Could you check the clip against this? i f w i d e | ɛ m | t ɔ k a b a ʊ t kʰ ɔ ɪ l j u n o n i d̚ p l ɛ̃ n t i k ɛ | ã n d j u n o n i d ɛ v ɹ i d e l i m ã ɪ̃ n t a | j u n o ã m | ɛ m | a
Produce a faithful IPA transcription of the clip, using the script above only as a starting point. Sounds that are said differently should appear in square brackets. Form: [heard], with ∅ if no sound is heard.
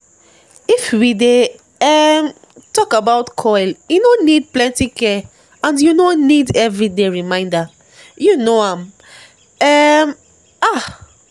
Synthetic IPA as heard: i f w i d e | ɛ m | t ɔ k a b a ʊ t kʰ ɔ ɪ l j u n o n i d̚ p l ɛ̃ n t i k ɛ | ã n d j u n o n i d ɛ v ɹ i d e [ɹ] i m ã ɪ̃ n [d] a | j u n o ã m | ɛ m | a